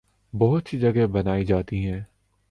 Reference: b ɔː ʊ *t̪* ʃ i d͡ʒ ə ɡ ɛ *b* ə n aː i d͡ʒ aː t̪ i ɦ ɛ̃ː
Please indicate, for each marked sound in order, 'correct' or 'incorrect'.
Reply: correct, correct

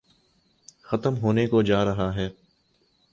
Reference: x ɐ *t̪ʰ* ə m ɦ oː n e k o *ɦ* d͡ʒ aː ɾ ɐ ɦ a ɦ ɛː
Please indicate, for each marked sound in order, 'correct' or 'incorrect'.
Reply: incorrect: t̪, incorrect: none

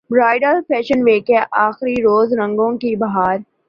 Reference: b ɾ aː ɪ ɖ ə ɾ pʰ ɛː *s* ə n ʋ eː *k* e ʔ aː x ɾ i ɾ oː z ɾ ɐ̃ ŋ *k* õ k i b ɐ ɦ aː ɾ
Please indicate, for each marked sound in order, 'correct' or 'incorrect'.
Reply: incorrect: ʃ, correct, incorrect: ɡ

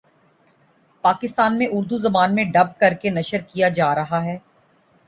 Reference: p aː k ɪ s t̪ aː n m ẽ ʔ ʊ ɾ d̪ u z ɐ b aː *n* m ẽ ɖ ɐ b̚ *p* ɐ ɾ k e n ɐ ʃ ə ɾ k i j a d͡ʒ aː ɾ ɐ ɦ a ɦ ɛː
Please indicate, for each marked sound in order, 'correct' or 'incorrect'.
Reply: correct, incorrect: k

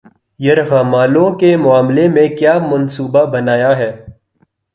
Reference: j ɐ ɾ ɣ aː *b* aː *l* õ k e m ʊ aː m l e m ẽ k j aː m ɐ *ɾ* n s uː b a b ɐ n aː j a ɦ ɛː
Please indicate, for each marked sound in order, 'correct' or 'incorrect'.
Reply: incorrect: m, correct, incorrect: none

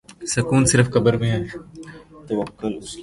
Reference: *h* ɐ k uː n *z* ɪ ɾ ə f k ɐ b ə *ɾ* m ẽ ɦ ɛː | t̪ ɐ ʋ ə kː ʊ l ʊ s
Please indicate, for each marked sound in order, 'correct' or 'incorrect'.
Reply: incorrect: s, incorrect: s, correct

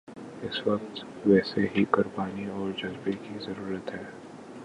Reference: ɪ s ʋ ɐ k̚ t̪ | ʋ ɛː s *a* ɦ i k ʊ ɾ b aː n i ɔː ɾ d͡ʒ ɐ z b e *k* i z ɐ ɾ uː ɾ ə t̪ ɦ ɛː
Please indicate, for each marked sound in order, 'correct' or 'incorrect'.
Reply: incorrect: e, correct

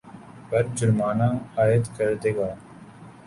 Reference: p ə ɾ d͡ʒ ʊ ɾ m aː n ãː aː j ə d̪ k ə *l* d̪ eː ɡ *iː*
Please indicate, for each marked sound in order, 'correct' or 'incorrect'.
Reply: incorrect: ɾ, incorrect: aː

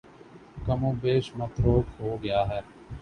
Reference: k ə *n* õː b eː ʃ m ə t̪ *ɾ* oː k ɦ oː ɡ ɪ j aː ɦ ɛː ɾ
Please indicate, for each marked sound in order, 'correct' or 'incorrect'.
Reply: incorrect: m, correct

